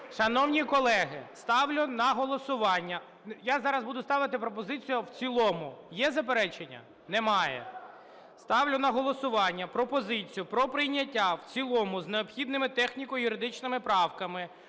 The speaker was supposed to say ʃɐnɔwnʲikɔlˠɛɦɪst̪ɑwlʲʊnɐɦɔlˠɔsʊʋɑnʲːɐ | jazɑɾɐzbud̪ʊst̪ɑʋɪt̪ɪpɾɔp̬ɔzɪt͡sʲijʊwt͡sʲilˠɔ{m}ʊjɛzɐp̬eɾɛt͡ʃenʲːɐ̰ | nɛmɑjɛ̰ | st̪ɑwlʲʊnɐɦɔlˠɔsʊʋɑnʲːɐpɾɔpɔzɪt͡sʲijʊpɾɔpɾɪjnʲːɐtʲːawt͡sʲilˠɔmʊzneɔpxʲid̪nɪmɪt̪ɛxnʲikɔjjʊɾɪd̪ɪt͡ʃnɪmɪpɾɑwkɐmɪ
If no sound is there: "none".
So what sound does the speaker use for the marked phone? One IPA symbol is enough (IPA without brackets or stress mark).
m